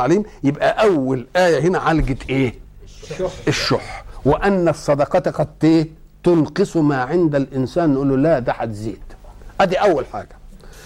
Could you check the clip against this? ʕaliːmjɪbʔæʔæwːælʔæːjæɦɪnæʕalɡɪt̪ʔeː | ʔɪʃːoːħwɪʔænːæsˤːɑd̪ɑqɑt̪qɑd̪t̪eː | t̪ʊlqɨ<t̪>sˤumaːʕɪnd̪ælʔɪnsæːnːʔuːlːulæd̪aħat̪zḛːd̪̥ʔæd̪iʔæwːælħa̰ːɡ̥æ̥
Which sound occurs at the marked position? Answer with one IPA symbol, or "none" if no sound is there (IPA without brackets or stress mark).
none